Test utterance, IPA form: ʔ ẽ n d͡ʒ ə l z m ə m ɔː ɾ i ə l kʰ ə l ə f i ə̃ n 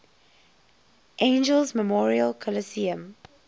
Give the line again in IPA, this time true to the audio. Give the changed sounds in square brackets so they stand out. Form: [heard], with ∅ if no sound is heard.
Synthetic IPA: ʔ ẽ n d͡ʒ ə l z m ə m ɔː [ɹ] i ə l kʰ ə l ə [s] i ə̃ [m]